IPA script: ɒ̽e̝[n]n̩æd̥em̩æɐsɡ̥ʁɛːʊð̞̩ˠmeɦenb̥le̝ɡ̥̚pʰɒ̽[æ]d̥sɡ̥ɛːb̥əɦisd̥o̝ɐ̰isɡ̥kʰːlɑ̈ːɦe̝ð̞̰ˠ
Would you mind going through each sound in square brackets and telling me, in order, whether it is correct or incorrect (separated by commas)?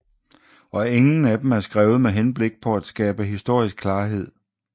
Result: incorrect, correct